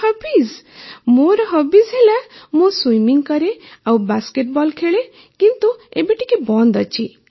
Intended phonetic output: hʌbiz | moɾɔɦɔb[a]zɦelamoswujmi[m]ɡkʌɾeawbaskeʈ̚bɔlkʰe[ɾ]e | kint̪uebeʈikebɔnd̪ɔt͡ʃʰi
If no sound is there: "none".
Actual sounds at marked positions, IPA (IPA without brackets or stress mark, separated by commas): i, ŋ, ɭ